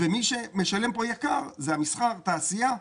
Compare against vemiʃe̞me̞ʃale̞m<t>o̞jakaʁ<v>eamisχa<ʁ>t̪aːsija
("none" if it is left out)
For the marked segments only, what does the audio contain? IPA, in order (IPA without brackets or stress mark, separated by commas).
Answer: p, z, ʁ